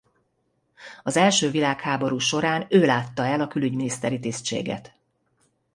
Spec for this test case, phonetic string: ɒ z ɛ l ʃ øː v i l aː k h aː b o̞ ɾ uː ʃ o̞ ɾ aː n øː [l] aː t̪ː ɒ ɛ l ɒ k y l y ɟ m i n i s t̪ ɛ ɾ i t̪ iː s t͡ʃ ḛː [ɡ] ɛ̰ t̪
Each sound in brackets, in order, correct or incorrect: correct, correct

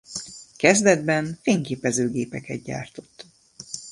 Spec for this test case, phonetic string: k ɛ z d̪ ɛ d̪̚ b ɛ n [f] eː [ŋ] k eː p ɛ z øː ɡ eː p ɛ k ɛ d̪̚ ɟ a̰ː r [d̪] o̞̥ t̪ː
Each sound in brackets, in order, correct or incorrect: correct, correct, incorrect: t̪

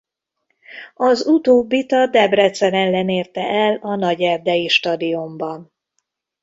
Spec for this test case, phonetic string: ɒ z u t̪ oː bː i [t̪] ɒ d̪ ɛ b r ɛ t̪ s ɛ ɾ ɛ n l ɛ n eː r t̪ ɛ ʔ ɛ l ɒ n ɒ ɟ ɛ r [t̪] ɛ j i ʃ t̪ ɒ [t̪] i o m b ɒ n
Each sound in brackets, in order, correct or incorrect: correct, incorrect: d̪, incorrect: d̪

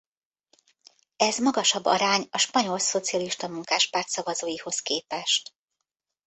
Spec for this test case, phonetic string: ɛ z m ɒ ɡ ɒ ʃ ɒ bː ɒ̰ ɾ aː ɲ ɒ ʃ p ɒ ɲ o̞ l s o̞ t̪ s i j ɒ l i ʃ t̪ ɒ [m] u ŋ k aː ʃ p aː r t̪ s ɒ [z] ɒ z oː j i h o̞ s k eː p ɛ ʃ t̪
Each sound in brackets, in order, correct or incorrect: correct, incorrect: v

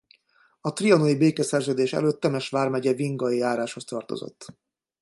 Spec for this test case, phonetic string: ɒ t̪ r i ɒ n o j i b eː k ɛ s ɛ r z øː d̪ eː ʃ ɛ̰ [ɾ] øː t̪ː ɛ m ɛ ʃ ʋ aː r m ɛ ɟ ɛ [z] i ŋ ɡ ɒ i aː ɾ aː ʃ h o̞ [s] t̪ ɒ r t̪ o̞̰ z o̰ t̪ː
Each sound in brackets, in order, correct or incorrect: incorrect: l, incorrect: v, correct

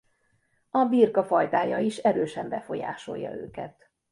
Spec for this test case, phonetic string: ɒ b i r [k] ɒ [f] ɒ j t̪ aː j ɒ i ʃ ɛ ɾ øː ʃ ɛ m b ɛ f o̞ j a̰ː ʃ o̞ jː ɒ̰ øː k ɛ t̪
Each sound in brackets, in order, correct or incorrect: correct, correct

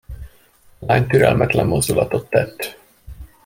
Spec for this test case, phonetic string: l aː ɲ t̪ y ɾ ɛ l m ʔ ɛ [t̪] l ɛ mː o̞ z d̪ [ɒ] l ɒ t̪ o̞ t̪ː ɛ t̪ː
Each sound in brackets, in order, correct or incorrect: correct, incorrect: u

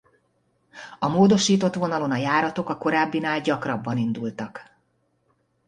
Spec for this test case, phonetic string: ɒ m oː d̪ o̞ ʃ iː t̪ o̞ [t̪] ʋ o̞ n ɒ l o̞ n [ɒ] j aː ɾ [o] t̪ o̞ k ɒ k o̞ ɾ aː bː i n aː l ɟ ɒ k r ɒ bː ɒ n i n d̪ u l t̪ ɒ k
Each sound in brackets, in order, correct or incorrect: correct, correct, incorrect: ɒ

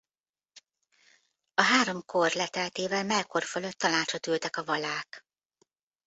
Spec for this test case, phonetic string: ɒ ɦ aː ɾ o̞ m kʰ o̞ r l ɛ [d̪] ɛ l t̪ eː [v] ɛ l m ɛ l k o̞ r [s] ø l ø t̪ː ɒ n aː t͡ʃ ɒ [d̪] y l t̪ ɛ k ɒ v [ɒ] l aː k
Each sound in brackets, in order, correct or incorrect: incorrect: t̪, correct, incorrect: f, incorrect: t̪, correct

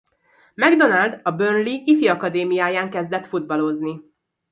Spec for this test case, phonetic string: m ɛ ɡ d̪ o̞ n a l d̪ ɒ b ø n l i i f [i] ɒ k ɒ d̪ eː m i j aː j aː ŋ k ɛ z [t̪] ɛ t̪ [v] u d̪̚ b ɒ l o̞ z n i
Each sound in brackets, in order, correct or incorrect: correct, incorrect: d̪, incorrect: f

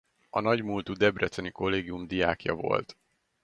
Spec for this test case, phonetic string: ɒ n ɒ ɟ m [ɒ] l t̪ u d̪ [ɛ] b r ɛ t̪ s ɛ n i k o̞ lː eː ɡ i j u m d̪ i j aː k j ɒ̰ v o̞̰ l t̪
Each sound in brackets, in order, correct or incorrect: incorrect: u, correct

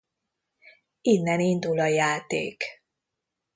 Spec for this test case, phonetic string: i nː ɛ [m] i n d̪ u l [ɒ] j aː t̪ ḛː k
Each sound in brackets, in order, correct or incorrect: incorrect: n, correct

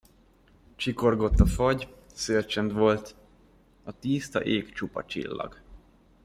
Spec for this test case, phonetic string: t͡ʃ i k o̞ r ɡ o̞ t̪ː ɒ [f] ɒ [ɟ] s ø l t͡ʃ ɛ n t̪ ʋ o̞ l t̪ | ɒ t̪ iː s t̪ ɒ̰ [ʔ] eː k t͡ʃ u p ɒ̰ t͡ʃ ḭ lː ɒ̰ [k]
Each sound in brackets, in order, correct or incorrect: correct, correct, correct, incorrect: ɡ

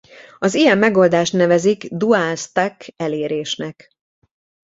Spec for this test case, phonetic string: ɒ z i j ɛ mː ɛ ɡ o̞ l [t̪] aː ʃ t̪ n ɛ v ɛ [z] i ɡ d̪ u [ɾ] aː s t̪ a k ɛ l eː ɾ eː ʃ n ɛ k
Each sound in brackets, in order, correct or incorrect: incorrect: d̪, correct, incorrect: none

